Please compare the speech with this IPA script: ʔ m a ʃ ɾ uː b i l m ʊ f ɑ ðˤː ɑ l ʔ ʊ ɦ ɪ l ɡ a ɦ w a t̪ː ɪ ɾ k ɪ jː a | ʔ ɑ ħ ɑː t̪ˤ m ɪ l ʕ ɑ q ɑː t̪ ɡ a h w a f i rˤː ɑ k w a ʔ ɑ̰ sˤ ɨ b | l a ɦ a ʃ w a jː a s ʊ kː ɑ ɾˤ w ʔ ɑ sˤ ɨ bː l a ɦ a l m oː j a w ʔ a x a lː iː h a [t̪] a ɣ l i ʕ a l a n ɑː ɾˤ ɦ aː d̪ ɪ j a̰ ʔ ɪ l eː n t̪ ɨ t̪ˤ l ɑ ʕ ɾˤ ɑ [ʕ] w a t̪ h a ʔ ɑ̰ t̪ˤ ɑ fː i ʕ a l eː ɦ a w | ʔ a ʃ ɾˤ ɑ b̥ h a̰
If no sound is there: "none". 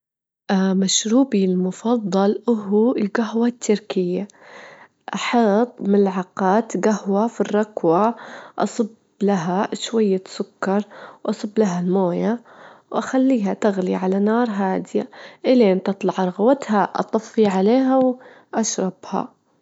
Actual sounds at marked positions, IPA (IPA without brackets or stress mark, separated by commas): t̪, ɣ